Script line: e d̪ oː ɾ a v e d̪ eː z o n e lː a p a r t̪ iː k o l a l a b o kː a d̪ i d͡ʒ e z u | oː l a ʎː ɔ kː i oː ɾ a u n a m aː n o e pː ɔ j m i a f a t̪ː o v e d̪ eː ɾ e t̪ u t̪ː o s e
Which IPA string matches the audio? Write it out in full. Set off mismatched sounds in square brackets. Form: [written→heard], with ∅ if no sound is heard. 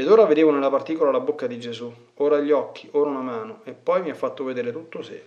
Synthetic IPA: e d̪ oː ɾ a v e d̪ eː [z→v] o n e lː a p a r t̪ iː k o l a l a b o kː a d̪ i d͡ʒ e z u | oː [l→ɾ] a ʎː ɔ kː i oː ɾ a u n a m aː n o e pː ɔ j m i a [f→fː] a t̪ː o v e d̪ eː ɾ e t̪ u t̪ː o s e